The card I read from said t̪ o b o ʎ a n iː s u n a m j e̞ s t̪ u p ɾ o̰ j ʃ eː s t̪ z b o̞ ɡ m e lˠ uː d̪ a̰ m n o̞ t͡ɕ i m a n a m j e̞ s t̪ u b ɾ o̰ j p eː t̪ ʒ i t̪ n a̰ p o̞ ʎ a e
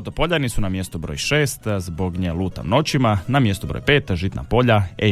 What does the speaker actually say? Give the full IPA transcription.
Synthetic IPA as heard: t̪ o p o ʎ a n i s u n a m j e̞ s t̪ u b ɾ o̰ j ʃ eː s t̪ z b o̞ ɡ ɲ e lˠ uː t̪ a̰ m n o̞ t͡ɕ i m a n a m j e̞ s t̪ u b ɾ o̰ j p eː t̪ ʒ i t̪ n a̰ p o̞ ʎ a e